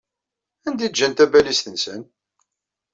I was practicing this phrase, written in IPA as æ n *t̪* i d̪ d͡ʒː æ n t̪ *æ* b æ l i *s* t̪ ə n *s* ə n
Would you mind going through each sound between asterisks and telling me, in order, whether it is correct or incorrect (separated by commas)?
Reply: incorrect, correct, correct, correct